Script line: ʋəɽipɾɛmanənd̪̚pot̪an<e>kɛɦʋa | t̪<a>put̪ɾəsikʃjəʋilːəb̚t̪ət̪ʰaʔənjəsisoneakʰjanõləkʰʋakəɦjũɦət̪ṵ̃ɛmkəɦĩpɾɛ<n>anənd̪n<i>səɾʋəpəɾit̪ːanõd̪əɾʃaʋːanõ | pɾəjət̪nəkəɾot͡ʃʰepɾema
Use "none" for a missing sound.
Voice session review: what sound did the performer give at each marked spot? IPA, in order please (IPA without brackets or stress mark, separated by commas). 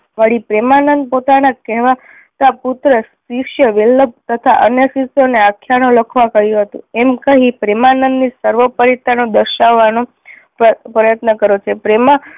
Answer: a, a, m, i